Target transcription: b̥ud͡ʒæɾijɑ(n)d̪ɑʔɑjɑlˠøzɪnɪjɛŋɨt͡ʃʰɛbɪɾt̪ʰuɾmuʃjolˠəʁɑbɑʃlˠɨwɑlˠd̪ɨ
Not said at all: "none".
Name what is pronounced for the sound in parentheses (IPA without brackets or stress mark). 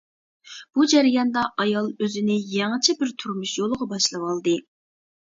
n